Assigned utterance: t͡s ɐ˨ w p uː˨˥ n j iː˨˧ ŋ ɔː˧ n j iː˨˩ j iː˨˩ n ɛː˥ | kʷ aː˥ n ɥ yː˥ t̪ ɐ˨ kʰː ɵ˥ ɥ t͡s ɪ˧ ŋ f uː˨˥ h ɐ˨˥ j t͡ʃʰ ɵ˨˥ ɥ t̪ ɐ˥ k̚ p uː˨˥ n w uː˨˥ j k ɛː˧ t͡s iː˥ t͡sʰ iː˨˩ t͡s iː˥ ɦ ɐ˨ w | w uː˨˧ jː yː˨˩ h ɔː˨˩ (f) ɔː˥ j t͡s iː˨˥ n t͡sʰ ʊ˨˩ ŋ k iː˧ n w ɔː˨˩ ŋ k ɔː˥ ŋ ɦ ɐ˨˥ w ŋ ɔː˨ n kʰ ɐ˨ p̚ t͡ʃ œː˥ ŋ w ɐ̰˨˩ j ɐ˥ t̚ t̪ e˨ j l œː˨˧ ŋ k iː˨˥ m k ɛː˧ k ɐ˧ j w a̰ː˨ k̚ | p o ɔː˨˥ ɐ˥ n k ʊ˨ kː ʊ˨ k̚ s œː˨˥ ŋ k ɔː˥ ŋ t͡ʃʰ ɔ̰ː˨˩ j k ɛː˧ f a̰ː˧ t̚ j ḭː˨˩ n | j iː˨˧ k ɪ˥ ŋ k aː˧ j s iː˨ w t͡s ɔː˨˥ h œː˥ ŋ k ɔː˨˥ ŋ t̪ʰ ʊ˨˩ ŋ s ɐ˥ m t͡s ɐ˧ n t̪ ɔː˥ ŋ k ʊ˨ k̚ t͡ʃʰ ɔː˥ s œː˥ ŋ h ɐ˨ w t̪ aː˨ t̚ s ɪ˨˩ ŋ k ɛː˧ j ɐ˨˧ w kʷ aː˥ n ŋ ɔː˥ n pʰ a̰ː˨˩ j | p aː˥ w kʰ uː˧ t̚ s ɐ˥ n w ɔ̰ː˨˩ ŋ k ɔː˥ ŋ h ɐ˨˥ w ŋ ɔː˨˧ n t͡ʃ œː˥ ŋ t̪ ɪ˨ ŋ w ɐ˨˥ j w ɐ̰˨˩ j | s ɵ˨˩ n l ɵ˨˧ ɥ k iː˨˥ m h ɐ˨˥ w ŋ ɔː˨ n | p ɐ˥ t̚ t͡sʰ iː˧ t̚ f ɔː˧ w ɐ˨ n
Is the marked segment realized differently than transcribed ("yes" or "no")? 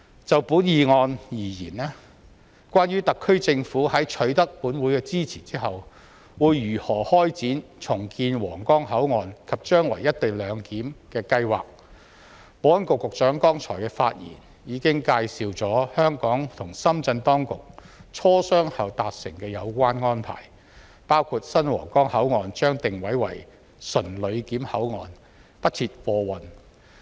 yes